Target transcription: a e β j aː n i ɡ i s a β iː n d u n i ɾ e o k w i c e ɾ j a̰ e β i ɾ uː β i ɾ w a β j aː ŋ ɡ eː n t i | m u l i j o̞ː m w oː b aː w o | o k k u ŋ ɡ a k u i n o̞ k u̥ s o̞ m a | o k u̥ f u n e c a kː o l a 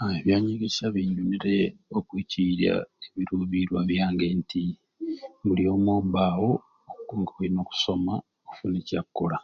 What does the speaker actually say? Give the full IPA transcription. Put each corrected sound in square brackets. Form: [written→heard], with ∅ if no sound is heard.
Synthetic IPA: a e β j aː [n→ɲ] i ɡ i s a β iː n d u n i ɾ e o k w i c [e→i] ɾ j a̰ e β i ɾ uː β i ɾ w a β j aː ŋ ɡ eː n t i | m u l i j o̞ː m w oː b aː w o | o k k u ŋ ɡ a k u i n o̞ k u̥ s o̞ m a | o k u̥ f u n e c a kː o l a